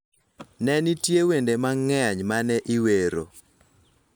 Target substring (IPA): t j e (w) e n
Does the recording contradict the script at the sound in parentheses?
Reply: no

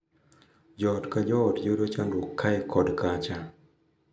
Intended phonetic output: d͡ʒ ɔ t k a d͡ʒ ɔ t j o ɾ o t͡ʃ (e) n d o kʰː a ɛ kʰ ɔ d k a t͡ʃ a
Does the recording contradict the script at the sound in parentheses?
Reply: yes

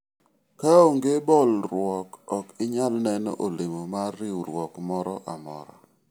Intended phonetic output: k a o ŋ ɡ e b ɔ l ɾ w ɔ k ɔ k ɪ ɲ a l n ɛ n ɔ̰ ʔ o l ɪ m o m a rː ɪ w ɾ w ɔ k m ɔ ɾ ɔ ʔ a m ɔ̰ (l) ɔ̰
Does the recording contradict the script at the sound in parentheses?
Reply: yes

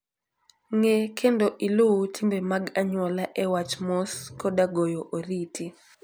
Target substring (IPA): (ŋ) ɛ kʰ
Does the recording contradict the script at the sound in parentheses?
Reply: no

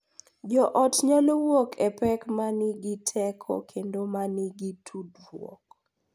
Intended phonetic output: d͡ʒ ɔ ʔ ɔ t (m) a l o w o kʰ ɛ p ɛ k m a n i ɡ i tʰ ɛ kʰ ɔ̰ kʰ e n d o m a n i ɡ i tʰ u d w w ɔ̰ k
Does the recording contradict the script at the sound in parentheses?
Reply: yes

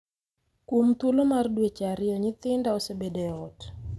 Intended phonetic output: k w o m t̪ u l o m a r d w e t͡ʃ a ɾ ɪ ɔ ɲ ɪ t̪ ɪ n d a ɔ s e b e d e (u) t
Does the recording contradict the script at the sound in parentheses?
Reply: yes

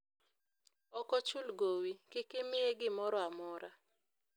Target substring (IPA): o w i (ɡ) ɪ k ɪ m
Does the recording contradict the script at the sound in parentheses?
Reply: yes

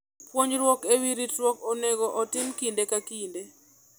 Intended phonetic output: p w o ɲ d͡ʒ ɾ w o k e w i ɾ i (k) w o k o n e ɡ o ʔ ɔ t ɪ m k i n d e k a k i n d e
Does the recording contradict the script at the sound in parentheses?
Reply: yes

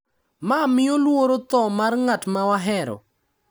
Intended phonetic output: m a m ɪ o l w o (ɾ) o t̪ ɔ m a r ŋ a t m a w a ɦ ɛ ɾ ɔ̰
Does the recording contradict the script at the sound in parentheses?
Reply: no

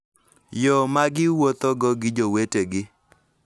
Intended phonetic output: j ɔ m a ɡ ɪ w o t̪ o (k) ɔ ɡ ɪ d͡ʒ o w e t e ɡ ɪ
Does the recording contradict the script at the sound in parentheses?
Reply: yes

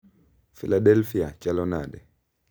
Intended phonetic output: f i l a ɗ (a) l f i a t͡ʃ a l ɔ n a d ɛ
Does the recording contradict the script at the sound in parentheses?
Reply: yes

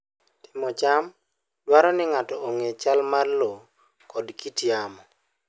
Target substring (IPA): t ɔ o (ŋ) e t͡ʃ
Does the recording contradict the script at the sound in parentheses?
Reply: no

